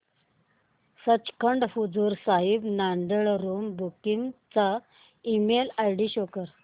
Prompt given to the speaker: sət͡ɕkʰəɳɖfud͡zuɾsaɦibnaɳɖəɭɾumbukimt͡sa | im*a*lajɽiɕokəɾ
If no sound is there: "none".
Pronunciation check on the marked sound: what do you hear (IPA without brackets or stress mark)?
e